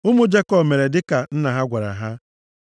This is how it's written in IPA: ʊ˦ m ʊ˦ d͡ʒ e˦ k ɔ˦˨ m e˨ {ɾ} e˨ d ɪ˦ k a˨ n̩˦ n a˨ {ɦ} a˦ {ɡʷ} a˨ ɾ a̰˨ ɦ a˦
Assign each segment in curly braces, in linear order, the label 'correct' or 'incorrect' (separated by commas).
correct, correct, correct